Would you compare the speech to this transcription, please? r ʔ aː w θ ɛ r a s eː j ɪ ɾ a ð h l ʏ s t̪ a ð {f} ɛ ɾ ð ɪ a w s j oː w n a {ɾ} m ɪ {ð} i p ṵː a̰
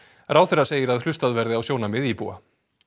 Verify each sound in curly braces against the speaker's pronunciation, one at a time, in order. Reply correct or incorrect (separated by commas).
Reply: incorrect, incorrect, correct